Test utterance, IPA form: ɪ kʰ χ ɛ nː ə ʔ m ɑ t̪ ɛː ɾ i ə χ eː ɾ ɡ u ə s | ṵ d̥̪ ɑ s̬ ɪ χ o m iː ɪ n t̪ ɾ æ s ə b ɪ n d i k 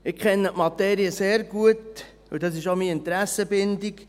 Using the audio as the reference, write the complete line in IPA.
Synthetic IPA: ɪ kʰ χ ɛ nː ə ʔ m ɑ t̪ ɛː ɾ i ə s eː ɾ ɡ u ə t | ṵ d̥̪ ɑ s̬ ɪ ʃ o m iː ɪ n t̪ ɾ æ s ə b ɪ n d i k